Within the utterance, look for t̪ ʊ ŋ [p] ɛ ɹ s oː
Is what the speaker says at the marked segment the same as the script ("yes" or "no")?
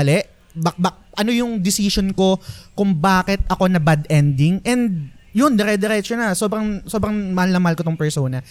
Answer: yes